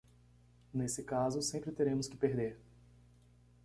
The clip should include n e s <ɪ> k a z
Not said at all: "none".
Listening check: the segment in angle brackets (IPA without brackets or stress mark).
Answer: ɪ